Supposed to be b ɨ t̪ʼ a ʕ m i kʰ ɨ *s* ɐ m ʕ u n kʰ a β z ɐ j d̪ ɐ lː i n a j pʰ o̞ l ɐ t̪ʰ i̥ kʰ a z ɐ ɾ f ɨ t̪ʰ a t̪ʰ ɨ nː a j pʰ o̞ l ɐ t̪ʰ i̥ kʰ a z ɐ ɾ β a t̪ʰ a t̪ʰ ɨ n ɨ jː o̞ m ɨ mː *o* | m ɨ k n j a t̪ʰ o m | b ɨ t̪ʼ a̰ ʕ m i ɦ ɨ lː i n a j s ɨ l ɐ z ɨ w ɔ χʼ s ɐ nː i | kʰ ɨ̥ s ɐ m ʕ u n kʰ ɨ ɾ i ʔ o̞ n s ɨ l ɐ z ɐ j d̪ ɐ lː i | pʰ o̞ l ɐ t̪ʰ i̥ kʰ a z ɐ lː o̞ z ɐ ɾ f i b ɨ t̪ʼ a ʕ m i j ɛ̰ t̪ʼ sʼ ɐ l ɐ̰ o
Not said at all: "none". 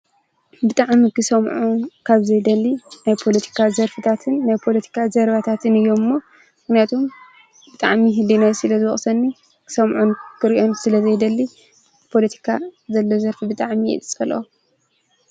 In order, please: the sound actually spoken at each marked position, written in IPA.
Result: s, o

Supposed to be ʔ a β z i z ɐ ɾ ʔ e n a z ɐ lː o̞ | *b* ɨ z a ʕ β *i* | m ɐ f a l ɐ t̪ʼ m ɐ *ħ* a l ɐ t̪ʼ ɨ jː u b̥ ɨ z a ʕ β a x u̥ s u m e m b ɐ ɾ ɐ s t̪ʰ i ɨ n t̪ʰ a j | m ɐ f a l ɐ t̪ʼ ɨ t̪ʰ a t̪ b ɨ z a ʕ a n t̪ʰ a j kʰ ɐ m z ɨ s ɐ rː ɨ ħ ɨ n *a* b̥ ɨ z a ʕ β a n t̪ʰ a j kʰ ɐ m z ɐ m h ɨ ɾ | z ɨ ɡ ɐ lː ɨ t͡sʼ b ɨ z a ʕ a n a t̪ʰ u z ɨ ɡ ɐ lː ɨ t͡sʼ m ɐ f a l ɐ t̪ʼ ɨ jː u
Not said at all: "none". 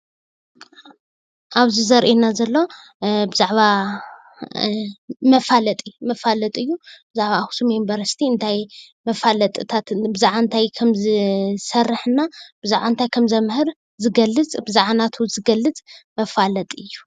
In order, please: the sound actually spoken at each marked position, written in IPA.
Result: b, a, f, a

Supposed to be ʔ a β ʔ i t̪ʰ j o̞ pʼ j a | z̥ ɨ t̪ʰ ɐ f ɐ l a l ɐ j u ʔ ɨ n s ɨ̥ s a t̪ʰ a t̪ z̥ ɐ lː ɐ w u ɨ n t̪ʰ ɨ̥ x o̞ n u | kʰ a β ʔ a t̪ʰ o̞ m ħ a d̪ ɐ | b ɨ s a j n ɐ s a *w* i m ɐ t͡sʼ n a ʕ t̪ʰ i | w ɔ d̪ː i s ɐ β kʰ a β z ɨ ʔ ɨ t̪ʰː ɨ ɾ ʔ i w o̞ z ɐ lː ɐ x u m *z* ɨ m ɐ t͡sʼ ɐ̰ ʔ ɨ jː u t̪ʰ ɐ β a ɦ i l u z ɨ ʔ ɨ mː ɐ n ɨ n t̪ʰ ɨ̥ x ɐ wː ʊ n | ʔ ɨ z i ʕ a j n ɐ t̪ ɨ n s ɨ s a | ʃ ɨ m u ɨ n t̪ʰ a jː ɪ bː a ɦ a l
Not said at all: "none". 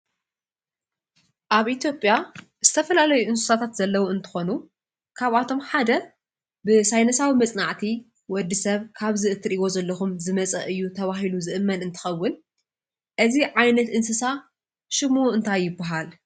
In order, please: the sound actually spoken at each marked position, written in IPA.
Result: w, z

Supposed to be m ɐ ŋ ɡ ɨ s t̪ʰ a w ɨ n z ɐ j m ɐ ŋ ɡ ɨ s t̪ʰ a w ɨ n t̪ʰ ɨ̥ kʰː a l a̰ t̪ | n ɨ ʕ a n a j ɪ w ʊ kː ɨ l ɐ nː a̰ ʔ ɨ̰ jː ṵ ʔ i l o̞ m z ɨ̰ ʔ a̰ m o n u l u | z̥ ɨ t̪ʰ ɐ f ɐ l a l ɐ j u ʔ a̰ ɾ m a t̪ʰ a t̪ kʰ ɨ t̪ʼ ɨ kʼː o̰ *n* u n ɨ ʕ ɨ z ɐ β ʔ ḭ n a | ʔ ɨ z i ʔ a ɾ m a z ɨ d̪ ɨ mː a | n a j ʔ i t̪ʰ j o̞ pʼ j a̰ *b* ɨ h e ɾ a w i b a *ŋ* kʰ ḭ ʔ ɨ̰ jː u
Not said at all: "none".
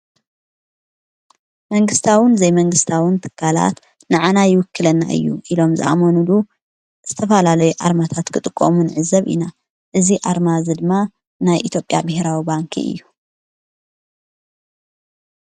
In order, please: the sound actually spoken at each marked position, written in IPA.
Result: m, b, ŋ

